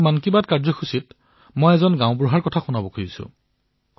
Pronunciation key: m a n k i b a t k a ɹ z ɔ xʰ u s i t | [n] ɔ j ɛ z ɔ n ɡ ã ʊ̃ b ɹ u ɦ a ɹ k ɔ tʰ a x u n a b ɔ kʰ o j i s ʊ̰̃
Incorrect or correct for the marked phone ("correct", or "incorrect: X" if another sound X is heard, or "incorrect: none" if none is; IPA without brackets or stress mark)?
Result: incorrect: m